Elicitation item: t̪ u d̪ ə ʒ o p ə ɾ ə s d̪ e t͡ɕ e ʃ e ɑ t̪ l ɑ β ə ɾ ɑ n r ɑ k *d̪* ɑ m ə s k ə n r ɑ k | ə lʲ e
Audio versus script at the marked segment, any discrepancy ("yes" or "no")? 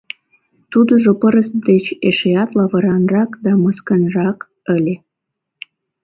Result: no